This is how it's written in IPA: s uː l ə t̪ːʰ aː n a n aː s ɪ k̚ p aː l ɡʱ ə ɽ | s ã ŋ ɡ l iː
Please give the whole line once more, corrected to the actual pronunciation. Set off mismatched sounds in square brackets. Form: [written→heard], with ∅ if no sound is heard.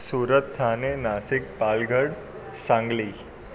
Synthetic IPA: s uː [l→ɾ] ə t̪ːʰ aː n [a→e] n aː s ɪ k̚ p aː l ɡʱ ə ɽ | s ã ŋ ɡ l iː